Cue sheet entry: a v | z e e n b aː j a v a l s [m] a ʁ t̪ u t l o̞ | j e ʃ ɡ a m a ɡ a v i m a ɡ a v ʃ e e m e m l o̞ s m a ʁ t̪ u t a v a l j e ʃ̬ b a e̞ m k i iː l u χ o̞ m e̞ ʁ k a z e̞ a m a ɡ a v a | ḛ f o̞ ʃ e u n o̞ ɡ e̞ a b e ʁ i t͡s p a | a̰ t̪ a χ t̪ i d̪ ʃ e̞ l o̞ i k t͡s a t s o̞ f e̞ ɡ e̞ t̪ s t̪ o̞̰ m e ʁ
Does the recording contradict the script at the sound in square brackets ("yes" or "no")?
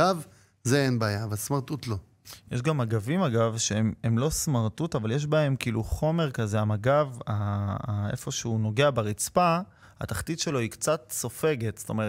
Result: no